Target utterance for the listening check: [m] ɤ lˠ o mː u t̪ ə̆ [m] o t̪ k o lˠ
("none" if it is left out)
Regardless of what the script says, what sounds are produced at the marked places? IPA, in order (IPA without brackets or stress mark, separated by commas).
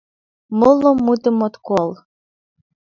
m, m